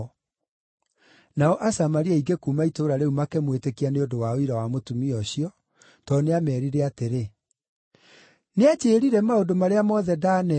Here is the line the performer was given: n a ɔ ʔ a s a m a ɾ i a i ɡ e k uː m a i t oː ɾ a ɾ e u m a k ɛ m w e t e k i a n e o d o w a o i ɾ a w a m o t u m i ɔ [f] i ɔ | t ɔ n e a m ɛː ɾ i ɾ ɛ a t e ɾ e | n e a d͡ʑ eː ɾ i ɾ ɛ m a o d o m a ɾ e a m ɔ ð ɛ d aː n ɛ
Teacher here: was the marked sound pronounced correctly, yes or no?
no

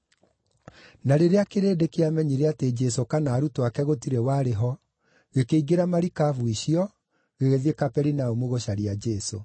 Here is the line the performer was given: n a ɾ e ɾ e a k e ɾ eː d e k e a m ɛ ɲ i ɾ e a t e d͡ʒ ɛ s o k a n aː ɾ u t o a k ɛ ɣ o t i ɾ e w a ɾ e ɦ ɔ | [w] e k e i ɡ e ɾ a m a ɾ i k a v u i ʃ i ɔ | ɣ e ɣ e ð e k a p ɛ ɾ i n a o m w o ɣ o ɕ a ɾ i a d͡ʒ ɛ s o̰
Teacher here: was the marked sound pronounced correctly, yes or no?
no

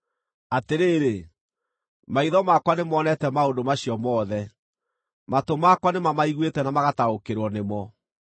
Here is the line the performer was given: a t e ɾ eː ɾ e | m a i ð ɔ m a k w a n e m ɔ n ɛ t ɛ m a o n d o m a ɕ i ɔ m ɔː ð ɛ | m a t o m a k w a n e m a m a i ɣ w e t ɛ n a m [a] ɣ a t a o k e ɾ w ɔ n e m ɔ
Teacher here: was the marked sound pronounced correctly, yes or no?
yes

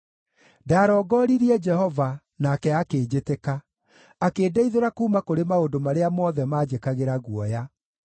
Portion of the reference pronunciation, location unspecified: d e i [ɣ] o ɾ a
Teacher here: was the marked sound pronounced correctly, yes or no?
no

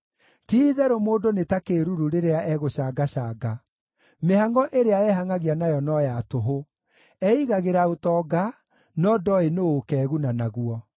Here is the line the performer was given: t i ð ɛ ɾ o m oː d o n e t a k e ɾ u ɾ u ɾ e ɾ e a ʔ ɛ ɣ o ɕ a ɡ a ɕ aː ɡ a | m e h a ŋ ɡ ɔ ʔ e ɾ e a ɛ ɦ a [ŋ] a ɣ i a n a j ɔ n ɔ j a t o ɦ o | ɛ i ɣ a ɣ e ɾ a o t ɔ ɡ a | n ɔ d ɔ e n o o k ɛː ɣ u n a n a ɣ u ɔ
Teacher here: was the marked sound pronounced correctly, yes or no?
yes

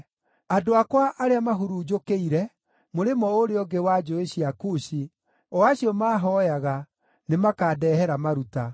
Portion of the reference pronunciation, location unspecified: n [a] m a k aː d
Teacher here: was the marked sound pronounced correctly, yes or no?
no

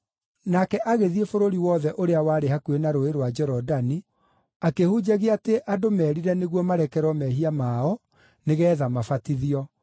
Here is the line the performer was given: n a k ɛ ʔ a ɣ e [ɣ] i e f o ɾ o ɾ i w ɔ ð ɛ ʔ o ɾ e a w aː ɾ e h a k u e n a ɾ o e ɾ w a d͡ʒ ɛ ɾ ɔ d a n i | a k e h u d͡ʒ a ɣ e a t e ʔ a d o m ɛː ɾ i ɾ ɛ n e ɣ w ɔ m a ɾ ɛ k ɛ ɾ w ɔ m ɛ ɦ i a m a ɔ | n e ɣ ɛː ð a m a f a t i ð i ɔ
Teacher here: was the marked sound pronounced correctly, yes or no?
no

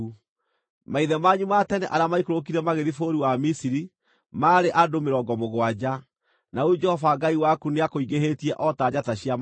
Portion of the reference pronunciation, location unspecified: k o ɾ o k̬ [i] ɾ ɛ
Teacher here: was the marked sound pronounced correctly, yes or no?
yes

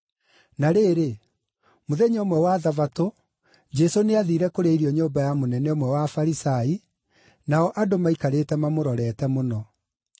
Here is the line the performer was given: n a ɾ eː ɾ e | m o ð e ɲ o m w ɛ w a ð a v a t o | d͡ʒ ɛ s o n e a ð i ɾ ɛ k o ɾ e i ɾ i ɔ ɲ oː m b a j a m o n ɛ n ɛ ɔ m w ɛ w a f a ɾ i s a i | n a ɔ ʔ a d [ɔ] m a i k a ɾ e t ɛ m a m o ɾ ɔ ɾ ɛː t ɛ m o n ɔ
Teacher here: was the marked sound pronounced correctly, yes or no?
no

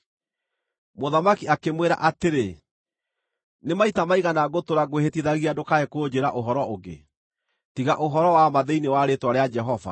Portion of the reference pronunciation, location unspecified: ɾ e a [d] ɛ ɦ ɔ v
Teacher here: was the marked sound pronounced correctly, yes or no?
no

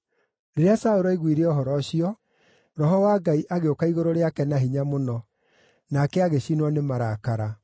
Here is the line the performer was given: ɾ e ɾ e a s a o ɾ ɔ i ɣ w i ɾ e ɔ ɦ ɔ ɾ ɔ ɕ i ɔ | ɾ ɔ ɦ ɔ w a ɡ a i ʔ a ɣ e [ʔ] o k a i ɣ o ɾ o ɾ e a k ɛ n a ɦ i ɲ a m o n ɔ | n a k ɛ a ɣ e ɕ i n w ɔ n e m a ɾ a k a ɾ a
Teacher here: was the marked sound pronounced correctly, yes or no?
no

